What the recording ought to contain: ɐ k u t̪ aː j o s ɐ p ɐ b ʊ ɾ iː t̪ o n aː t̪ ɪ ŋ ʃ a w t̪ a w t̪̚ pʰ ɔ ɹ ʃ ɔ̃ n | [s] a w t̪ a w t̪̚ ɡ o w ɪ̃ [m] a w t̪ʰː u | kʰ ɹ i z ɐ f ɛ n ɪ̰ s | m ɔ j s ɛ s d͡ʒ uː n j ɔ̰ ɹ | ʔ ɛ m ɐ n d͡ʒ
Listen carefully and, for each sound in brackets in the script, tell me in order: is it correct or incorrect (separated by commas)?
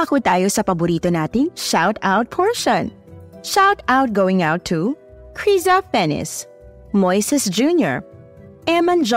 incorrect, incorrect